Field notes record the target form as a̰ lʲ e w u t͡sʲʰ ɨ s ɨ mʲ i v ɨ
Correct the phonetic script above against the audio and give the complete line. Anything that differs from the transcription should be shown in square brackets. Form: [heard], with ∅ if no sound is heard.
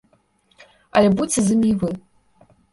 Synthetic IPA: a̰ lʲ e [b] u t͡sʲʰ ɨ [z] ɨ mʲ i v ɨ